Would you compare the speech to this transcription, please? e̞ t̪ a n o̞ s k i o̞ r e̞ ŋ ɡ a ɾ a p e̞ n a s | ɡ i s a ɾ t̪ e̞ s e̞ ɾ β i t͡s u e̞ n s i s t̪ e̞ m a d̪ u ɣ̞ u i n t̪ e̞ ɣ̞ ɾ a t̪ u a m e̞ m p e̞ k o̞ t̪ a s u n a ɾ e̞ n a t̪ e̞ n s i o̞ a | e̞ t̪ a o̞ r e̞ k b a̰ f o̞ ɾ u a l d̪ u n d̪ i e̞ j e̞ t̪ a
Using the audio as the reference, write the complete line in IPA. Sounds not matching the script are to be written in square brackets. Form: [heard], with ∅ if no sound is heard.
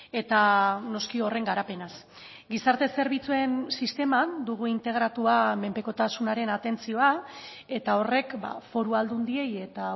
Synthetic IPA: e̞ t̪ a n o̞ s k i o̞ r e̞ ŋ ɡ a ɾ a p e̞ n a s | ɡ i s a ɾ t̪ e̞ s e̞ ɾ β i t͡s u e̞ n s i s t̪ e̞ m a d̪ u ɣ̞ u i n t̪ e̞ ɣ̞ ɾ a t̪ u a m e̞ m p e̞ k o̞ t̪ a s u n a ɾ e̞ n a t̪ e̞ n [t͡s] i o̞ a | e̞ t̪ a o̞ r e̞ k b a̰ f o̞ ɾ u a l d̪ u n d̪ i e̞ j e̞ t̪ a